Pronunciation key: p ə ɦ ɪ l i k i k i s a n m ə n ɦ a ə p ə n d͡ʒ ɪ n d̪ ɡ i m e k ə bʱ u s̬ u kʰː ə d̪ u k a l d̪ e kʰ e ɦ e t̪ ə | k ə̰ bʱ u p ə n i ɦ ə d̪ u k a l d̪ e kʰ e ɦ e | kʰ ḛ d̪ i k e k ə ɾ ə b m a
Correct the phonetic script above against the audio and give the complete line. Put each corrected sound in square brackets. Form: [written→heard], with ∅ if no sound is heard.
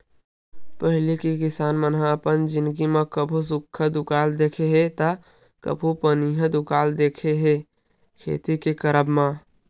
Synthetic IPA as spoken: p ə ɦ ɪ l i k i k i s a n m ə n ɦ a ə p ə n d͡ʒ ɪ n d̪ ɡ i m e k ə bʱ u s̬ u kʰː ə d̪ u k a l d̪ e kʰ e ɦ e t̪ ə | k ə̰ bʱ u p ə n i ɦ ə d̪ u k a l d̪ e kʰ e ɦ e | kʰ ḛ [d̪→t̪] i k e k ə ɾ ə b m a